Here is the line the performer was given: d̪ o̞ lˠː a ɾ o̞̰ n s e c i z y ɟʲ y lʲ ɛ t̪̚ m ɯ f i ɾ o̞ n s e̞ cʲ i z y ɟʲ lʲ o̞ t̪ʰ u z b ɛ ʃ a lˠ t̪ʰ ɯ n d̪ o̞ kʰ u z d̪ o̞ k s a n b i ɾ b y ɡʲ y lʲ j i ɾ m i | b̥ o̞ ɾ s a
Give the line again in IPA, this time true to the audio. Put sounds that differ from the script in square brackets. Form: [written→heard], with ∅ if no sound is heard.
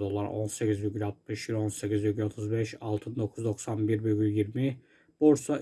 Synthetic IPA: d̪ o̞ [lˠː→lˠ] a ɾ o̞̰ n s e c i z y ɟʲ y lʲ [ɛ→a] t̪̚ m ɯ [f→ʃ] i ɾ o̞ n s e̞ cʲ i z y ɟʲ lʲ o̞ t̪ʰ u z b ɛ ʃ a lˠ t̪ʰ ɯ n d̪ o̞ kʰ u z d̪ o̞ k s a n b i ɾ b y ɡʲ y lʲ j i ɾ m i | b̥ o̞ ɾ s a